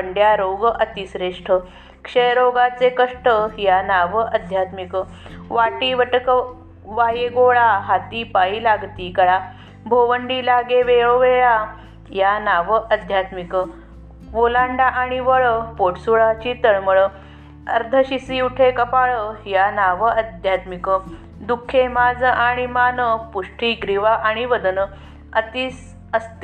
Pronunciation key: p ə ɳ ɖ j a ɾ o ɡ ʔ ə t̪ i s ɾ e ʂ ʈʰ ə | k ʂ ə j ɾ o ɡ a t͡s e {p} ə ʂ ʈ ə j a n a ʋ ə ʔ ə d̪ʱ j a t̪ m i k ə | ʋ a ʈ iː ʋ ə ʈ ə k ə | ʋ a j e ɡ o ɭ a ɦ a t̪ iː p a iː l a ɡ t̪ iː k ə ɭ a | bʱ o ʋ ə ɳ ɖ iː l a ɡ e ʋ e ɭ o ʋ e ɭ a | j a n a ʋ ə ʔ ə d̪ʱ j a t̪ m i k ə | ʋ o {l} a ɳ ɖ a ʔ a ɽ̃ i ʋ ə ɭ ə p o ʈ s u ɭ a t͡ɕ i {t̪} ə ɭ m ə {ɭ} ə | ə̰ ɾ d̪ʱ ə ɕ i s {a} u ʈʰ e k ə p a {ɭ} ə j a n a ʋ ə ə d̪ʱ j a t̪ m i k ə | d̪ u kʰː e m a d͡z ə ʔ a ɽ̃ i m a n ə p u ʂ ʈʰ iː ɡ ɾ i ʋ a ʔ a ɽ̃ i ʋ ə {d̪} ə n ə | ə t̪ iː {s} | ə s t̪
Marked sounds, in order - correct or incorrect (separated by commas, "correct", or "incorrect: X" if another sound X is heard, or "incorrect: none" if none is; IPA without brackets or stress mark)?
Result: incorrect: k, correct, correct, correct, incorrect: i, correct, correct, correct